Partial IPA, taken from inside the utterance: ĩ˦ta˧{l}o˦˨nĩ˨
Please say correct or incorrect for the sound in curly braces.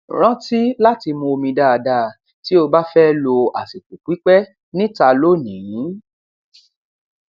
correct